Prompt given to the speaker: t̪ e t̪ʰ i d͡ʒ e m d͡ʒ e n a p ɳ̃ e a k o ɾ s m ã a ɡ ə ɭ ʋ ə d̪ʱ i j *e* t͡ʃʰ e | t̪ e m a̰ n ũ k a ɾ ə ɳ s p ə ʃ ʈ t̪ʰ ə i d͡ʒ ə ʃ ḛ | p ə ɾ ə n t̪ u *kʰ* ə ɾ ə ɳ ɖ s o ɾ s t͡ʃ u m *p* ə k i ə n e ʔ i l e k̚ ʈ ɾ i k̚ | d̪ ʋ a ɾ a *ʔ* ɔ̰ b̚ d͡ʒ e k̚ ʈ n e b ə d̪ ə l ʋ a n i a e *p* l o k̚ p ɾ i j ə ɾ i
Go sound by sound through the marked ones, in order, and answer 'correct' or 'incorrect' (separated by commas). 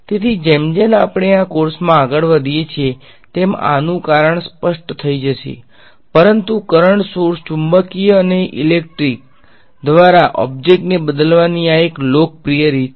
correct, incorrect, incorrect, correct, incorrect